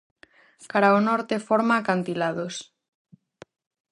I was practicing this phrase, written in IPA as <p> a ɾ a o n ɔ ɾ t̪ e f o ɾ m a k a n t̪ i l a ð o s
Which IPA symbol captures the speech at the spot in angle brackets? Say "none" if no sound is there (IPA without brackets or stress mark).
k